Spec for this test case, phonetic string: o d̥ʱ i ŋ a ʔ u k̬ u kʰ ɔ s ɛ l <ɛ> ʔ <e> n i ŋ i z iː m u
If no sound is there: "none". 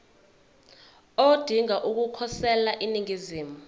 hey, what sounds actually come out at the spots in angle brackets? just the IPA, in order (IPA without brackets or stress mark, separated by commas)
a, i